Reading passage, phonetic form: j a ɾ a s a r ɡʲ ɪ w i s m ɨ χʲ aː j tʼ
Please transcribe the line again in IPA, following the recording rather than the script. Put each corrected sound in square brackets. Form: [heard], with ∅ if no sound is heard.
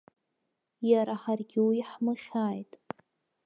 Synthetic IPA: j a ɾ a [ħ] a r ɡʲ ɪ w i [ħ] m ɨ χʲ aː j tʼ